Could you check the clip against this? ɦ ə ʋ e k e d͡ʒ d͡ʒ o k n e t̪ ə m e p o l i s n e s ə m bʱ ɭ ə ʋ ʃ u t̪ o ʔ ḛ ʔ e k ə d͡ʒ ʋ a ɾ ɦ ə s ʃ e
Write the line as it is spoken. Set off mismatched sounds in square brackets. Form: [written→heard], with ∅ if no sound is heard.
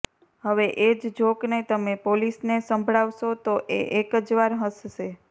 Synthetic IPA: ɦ ə ʋ e [k→ʔ] e d͡ʒ d͡ʒ o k n e t̪ ə m e p o l i s n e s ə m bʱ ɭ [ə→a] ʋ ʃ [u→o] t̪ o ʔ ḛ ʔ e k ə d͡ʒ ʋ a ɾ ɦ ə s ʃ e